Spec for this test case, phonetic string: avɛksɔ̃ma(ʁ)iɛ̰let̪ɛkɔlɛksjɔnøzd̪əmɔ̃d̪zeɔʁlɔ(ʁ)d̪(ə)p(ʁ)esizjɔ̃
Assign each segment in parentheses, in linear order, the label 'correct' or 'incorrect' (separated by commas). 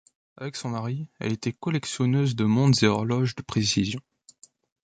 correct, incorrect, correct, incorrect